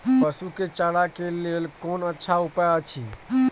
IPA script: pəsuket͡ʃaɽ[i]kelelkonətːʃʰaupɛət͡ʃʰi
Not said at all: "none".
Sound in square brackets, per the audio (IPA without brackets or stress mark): a